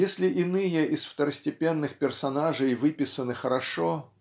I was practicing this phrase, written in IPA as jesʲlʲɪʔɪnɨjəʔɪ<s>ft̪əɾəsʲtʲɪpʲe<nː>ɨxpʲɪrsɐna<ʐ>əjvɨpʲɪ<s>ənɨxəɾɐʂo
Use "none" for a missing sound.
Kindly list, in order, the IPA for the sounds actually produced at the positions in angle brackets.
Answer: s, nː, ʐ, s

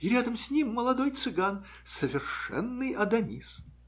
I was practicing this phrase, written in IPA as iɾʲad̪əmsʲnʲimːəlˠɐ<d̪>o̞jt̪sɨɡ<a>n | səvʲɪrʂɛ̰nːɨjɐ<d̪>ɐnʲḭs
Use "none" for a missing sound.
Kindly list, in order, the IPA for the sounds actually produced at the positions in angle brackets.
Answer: d̪, a, d̪

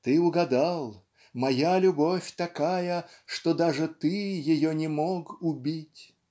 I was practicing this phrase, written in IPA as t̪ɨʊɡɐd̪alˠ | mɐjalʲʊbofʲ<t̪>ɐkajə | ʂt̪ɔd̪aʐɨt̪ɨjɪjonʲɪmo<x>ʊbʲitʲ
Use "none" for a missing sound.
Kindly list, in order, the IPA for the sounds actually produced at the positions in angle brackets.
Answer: t̪, k

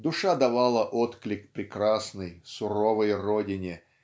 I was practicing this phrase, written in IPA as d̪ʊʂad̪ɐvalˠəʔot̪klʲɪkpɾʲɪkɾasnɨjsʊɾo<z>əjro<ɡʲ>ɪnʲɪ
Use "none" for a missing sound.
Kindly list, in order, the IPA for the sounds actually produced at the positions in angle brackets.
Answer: v, dʲ

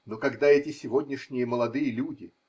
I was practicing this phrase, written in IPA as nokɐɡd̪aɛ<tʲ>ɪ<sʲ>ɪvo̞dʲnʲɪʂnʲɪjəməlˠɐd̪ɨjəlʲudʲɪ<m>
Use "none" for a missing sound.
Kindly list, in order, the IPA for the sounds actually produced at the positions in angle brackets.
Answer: tʲ, sʲ, none

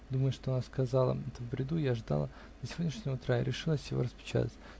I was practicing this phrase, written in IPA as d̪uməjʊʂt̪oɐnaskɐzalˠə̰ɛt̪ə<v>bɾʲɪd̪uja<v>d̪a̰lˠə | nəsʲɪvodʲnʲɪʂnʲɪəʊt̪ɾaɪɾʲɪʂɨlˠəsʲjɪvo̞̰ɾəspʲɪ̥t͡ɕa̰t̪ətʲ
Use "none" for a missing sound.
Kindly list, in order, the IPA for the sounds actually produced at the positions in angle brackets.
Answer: v, ʐ

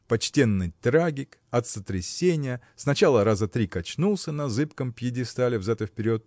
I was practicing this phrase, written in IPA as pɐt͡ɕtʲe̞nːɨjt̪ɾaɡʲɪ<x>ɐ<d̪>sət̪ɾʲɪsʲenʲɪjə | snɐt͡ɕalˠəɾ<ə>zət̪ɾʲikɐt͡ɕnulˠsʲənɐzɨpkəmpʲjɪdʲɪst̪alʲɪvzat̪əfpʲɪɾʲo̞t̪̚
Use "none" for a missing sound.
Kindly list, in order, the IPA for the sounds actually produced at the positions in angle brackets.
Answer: k, t̪, a

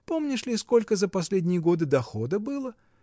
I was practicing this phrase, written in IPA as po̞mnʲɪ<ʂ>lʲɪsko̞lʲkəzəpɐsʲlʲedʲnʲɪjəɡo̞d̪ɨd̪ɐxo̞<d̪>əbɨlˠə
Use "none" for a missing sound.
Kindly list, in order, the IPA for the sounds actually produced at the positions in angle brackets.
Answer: ʂ, d̪

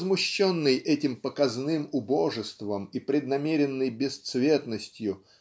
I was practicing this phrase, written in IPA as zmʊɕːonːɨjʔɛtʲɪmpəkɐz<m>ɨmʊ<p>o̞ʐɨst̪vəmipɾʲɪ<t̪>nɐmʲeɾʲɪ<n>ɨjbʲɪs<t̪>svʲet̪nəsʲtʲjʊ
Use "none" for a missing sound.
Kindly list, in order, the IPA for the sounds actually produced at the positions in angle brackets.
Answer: n, b, d̪, nː, t̪

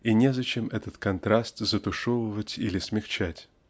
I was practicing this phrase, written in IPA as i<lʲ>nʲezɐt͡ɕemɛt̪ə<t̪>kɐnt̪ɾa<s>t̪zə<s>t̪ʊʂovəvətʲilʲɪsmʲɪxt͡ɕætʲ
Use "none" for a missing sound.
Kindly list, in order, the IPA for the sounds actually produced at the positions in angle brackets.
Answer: none, t̪, s, none

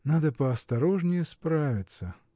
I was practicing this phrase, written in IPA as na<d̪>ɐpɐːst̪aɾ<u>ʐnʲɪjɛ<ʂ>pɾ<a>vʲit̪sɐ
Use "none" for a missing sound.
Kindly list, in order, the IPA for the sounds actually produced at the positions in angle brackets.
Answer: d̪, ɔ, s, a

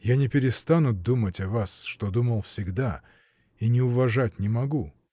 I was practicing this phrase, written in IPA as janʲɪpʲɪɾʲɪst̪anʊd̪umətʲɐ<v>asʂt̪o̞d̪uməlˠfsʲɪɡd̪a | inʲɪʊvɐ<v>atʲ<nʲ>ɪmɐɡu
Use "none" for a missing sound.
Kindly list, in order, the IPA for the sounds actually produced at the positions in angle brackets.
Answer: v, ʐ, nʲ

